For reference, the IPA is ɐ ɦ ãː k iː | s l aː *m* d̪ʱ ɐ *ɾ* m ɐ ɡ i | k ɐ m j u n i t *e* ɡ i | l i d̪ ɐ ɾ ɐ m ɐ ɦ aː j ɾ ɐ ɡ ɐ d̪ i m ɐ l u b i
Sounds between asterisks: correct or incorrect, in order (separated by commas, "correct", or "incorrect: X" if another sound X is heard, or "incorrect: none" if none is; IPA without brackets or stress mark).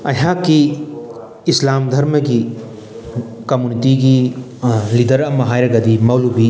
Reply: correct, correct, incorrect: i